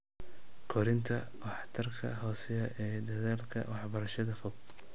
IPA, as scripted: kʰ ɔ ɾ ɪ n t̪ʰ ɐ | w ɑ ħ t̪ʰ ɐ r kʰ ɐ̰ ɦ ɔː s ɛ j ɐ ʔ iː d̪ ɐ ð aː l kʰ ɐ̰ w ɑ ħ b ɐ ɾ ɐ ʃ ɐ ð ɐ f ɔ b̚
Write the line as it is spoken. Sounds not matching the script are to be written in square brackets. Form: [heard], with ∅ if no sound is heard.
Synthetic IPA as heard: kʰ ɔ ɾ ɪ n t̪ʰ ɐ | w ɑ ħ t̪ʰ ɐ r kʰ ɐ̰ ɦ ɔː s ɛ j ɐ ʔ [ɛː] d̪ ɐ ð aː l kʰ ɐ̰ w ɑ ħ b ɐ ɾ ɐ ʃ ɐ ð ɐ f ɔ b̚